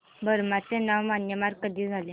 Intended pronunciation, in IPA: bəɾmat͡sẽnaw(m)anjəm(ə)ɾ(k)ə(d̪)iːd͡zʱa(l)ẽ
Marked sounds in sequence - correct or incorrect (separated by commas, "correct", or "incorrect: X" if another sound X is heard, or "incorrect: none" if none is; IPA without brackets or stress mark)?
correct, incorrect: a, correct, correct, correct